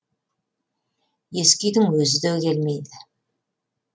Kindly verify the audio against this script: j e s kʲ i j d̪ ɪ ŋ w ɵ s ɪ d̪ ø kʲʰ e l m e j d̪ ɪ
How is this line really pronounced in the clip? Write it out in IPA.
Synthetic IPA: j e s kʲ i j d̪ ɪ ŋ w ɵ z ɪ d̪ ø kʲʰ e l m e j d̪ ɪ